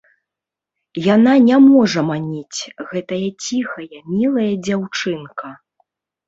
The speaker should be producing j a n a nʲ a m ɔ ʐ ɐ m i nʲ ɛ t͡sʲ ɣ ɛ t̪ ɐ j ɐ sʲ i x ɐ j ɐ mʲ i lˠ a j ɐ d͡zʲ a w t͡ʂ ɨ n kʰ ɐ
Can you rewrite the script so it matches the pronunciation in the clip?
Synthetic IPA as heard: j a n a nʲ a m ɔ ʐ ɐ m a nʲ i t͡sʲ ɣ ɛ t̪ ɐ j ɐ t͡sʲ i x ɐ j ɐ mʲ i lˠ ɐ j ɐ d͡zʲ a w t͡ʂ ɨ n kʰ ɐ